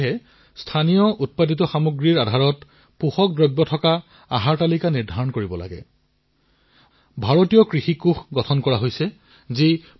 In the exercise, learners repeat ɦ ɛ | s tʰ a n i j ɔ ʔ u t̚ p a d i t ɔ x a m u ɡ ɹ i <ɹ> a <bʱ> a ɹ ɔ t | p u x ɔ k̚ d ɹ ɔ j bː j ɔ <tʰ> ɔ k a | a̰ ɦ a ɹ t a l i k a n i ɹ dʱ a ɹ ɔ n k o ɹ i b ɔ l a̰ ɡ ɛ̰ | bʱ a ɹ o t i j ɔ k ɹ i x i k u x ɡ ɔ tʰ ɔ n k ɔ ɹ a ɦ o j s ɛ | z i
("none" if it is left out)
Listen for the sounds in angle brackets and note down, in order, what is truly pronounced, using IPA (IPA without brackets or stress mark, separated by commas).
ɹ, dʱ, tʰ